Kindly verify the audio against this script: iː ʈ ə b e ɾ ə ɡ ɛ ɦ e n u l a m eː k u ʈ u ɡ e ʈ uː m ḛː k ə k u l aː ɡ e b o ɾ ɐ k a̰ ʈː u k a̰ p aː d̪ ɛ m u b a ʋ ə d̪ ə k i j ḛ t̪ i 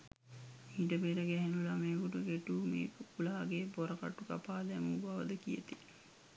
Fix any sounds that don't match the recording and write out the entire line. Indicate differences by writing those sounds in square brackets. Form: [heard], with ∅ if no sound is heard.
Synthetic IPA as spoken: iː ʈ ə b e ɾ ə ɡ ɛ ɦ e n u l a m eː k u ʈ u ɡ e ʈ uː m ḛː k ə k u l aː ɡ e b o ɾ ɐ k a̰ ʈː u k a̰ p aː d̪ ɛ m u b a ʋ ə d̪ ə k i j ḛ t̪ i